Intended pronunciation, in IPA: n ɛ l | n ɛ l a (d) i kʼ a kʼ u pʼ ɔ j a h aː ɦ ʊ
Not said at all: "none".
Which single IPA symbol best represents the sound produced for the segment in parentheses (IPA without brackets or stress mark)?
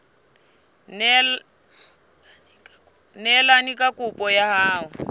n